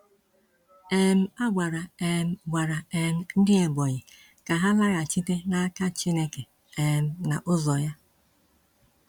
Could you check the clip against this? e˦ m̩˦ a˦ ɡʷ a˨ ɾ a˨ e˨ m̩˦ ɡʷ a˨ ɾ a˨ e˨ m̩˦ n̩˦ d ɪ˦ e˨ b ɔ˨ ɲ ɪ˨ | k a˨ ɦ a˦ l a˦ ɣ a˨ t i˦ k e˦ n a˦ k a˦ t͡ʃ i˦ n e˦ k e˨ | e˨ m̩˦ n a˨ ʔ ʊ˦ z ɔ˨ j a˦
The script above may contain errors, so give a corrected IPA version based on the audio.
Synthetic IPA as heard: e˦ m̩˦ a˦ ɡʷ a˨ ɾ a˨ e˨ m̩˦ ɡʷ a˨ ɾ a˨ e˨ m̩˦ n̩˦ d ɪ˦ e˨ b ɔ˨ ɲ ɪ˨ | k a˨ ɦ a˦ l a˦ ɣ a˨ t͡ʃ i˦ t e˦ n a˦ k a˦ t͡ʃ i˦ n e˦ k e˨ | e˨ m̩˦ n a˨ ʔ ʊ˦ z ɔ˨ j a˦